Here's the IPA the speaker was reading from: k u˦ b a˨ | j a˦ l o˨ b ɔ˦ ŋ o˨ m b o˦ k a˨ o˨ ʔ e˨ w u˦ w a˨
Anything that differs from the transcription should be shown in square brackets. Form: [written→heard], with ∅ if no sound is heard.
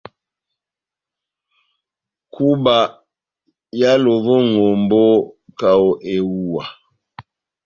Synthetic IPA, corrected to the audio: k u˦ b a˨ | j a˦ l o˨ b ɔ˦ ŋ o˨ m b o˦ k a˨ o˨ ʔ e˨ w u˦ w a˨